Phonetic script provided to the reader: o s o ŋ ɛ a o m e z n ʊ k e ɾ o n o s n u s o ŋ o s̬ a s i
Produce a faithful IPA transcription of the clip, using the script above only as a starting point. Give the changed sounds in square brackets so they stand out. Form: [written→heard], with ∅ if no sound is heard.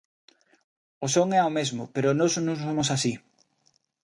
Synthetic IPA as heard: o s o ŋ ɛ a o m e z [n→m] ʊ [k→p] e ɾ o n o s n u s o [ŋ→m] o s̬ a s i